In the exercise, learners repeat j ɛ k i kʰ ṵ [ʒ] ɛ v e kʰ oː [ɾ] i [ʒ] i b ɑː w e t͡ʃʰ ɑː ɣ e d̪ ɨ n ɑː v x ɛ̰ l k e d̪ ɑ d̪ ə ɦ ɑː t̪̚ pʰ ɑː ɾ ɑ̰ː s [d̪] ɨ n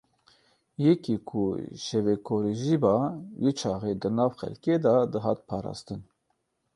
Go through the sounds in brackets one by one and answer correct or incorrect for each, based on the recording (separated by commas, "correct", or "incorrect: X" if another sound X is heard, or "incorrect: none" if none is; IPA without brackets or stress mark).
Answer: incorrect: ʃ, correct, correct, incorrect: t̪